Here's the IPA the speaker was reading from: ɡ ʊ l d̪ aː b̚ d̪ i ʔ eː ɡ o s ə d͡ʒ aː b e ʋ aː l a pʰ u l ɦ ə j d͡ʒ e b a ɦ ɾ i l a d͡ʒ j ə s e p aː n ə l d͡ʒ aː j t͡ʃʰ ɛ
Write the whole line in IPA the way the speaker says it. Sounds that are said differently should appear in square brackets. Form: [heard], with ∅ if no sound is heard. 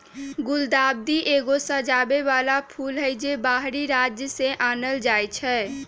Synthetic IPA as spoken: ɡ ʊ l d̪ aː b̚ d̪ i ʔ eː ɡ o s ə d͡ʒ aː b e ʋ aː l a pʰ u l ɦ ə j d͡ʒ e b a ɦ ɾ i [ɾ] a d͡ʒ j ə s e [ʔ] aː n ə l d͡ʒ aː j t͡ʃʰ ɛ